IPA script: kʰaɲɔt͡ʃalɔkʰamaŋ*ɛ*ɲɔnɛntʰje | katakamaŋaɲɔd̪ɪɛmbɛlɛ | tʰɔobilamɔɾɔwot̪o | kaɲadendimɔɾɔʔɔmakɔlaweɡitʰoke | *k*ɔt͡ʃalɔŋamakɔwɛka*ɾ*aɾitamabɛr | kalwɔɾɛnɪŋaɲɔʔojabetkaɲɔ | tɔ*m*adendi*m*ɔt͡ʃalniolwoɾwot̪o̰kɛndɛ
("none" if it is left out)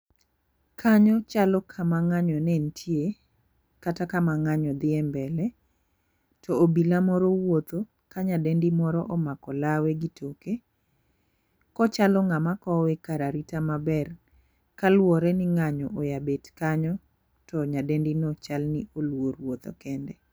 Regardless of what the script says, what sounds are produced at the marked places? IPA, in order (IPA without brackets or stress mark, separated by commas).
a, k, ɾ, ɲ, n